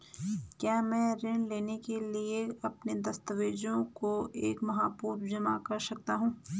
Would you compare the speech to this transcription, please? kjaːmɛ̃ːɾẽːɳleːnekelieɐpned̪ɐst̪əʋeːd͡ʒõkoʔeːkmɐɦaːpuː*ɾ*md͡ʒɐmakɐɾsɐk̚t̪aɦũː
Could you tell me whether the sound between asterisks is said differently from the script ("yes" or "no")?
no